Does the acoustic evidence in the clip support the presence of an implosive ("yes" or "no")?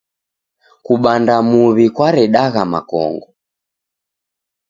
yes